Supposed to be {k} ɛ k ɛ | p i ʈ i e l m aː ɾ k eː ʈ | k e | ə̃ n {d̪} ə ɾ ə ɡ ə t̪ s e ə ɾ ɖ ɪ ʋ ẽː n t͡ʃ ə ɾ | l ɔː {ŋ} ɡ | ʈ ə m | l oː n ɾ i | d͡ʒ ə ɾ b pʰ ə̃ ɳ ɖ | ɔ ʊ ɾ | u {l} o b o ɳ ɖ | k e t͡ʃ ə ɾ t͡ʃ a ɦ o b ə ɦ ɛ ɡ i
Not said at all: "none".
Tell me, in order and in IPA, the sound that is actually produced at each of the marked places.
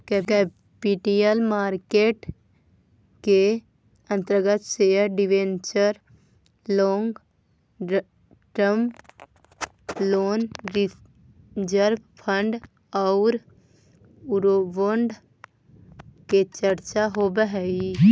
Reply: k, t̪, ŋ, ɾ

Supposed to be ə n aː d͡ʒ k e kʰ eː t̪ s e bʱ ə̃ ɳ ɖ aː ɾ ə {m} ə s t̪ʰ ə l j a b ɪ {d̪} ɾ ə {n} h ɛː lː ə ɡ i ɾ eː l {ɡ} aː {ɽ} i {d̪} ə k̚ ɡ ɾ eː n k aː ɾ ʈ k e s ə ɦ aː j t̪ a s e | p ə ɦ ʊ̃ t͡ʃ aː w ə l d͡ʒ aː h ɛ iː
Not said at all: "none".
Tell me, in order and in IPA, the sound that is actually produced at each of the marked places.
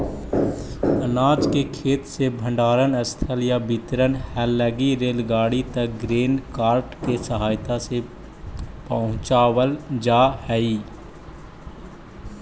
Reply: n, t̪, n, ɡ, ɽ, t̪

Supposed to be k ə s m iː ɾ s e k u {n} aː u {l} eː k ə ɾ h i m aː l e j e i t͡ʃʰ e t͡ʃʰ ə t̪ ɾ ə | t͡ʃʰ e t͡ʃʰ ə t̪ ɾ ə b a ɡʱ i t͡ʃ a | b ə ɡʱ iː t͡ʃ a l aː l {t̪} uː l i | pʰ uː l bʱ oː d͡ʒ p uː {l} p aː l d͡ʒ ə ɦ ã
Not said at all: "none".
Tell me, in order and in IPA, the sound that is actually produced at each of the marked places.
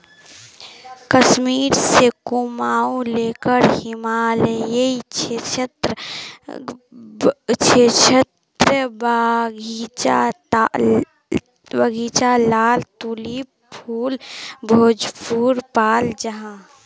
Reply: m, l, t̪, ɾ

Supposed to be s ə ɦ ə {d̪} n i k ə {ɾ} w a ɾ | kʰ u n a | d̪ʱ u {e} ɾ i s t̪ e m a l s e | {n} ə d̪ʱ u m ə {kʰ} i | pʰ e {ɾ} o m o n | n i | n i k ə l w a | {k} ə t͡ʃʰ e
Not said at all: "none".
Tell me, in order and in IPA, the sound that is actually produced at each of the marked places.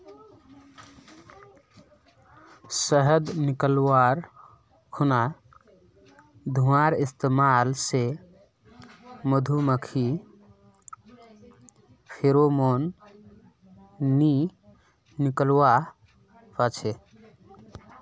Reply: d̪, l, a, m, kʰ, ɾ, p

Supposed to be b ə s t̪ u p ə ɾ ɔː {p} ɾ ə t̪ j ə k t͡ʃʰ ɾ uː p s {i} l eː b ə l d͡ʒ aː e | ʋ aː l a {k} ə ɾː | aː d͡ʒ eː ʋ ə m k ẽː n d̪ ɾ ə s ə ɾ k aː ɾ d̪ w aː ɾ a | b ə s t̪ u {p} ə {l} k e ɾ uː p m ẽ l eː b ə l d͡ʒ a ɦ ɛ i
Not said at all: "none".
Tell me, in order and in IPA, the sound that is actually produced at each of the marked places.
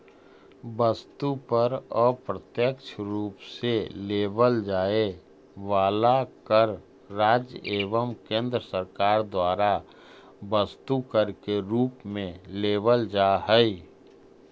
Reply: p, e, k, k, ɾ

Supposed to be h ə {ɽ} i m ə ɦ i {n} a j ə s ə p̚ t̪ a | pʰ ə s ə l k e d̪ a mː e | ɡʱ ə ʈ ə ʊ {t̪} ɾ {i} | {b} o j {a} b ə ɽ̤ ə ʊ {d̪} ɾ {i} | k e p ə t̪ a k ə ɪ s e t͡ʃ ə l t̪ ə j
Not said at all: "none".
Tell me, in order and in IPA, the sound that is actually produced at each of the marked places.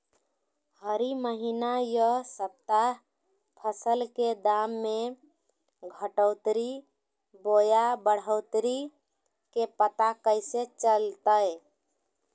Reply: ɾ, n, t̪, i, b, a, t̪, i

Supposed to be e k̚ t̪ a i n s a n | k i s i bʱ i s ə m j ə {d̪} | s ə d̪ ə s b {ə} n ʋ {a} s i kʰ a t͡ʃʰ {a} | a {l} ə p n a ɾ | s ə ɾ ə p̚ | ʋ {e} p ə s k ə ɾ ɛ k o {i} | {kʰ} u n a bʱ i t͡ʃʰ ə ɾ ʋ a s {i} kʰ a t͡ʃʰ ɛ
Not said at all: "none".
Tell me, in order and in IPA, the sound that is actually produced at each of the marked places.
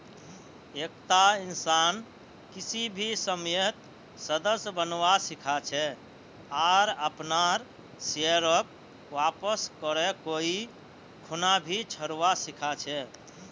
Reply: t̪, ə, a, ɛ, ɾ, a, i, kʰ, i

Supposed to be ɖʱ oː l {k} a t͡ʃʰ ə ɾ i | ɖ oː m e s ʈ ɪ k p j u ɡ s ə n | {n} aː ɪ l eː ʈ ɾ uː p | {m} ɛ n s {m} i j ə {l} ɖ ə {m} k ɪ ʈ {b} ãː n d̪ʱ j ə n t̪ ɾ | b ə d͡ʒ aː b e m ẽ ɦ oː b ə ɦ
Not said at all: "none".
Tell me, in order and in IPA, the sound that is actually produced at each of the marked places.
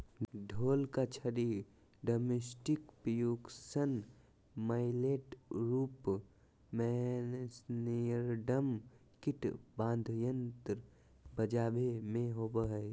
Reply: k, m, m, n, ɾ, m, b

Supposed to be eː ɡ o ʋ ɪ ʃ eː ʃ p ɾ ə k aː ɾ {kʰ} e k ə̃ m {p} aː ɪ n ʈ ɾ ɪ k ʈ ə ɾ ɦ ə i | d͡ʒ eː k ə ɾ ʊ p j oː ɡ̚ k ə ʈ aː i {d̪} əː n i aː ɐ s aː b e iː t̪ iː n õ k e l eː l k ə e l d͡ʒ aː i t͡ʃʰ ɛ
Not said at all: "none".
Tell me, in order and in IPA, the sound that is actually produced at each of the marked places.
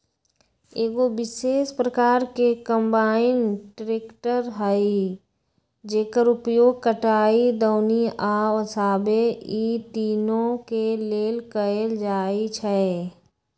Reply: k, b, d̪

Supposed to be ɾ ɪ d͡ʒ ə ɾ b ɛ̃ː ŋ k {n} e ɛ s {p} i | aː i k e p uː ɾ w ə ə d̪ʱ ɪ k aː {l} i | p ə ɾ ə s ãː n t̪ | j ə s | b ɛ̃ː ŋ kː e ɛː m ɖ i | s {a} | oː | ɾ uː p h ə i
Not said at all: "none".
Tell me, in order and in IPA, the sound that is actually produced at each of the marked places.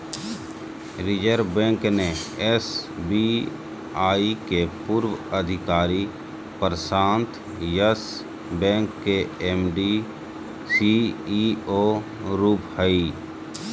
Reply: n, b, ɾ, i

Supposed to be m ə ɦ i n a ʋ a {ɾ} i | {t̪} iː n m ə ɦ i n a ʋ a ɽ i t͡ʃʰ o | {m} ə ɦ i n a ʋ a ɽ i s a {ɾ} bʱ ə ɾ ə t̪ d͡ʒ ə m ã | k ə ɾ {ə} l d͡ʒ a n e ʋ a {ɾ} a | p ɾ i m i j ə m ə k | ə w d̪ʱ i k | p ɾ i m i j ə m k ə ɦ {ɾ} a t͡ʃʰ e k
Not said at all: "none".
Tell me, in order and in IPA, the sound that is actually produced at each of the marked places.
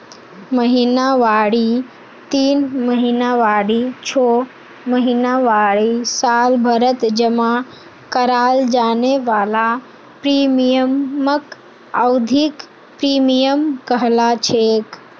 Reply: ɽ, t̪, m, l, a, l, l

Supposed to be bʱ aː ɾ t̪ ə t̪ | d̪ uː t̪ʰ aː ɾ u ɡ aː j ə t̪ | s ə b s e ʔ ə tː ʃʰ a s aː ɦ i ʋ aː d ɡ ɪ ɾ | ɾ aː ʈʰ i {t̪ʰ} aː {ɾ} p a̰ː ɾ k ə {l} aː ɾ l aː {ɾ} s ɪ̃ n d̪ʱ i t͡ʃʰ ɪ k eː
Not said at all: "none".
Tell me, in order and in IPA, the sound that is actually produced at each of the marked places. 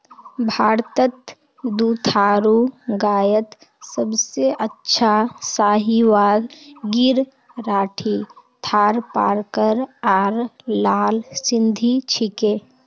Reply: t̪ʰ, ɾ, ɾ, l

